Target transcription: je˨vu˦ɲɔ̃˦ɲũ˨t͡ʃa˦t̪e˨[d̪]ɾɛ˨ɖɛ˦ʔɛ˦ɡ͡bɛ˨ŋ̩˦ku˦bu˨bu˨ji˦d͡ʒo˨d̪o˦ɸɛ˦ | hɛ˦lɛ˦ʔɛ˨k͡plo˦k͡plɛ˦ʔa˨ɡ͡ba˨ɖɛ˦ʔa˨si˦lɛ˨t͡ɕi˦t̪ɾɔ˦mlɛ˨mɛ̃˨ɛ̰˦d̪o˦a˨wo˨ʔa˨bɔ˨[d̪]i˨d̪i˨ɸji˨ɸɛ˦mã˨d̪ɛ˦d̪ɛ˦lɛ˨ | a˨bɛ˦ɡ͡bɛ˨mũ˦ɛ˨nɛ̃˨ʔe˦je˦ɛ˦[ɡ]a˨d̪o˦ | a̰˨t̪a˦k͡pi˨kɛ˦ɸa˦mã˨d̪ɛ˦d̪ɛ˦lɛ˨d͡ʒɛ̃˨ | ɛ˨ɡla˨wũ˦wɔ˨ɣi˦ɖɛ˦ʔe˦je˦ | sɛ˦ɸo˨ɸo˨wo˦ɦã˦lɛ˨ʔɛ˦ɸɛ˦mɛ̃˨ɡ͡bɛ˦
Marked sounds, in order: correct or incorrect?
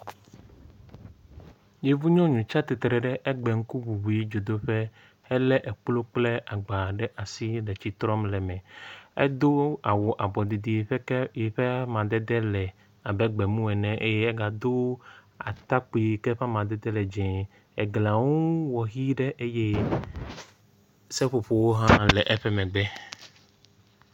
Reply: incorrect, correct, correct

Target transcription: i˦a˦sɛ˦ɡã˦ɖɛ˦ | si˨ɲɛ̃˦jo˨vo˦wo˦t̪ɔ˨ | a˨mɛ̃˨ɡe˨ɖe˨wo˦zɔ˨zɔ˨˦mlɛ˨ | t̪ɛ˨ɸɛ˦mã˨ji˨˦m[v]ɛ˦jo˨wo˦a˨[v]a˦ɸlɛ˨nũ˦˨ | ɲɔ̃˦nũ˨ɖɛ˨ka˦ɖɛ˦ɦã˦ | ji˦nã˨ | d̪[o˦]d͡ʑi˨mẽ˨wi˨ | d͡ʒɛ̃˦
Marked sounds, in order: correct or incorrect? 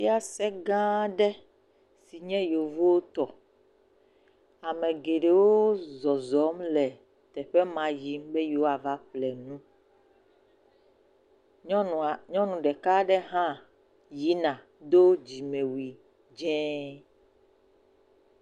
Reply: incorrect, correct, correct

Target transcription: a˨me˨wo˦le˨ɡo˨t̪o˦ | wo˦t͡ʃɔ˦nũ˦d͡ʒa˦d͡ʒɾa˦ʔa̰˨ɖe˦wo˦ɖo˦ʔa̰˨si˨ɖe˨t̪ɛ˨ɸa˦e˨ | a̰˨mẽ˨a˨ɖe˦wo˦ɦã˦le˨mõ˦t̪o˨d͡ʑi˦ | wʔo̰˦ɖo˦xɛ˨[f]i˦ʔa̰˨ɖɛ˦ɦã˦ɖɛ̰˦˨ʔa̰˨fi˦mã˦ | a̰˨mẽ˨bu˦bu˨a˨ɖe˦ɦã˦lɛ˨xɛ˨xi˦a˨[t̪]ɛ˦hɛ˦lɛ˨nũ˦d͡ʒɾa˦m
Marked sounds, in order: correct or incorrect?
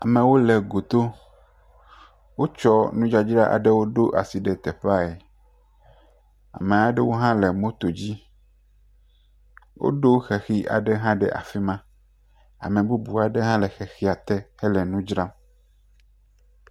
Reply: incorrect, correct

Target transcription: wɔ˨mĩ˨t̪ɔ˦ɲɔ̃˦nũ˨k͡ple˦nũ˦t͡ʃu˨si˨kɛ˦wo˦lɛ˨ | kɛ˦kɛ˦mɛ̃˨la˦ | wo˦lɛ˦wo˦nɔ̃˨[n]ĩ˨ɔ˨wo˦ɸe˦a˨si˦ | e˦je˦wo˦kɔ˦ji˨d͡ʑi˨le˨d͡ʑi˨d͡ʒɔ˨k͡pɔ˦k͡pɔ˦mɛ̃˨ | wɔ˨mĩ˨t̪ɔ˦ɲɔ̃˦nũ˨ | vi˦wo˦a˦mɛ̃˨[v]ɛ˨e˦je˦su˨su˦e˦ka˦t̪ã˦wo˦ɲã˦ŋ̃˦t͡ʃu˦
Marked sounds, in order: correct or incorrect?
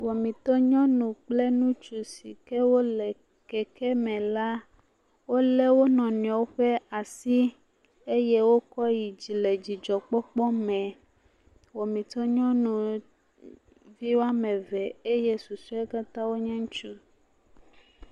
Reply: correct, correct

